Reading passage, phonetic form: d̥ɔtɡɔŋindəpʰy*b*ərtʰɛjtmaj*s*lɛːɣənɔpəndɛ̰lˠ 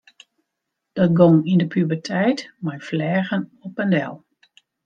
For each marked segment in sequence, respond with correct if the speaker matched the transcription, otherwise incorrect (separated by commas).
correct, incorrect